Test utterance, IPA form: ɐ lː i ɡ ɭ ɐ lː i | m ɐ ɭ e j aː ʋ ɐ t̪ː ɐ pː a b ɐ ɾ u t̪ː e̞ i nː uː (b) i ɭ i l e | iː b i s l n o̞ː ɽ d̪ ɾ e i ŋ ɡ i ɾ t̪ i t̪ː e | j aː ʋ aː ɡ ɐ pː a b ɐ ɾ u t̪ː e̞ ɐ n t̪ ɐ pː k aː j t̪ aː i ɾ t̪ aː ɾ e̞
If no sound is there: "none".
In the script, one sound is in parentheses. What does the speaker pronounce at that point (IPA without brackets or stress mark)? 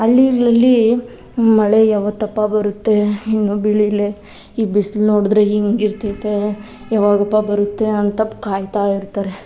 b